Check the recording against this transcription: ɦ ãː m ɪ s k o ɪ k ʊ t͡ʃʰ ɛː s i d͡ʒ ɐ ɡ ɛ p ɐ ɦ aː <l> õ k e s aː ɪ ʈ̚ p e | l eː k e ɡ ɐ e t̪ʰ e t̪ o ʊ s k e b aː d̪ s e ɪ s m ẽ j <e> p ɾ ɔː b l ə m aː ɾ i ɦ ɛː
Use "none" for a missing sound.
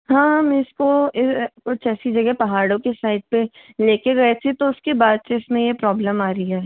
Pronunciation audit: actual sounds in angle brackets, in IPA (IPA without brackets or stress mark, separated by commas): ɽ, e